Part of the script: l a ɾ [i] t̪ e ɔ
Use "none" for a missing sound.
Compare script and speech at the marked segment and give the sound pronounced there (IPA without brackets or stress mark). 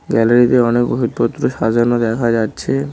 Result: i